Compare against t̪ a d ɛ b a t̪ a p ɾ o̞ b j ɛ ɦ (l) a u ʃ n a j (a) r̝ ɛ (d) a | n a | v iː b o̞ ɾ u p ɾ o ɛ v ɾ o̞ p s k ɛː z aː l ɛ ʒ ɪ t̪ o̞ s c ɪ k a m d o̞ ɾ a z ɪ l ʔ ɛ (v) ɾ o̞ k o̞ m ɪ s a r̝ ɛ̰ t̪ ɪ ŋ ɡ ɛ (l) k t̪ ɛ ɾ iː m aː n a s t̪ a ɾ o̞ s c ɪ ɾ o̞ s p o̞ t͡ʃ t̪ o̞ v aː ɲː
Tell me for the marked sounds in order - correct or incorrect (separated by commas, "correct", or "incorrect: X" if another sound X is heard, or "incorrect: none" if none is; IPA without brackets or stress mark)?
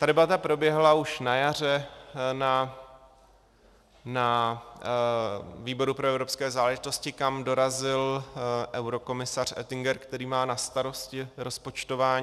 correct, correct, incorrect: n, incorrect: w, incorrect: ɾ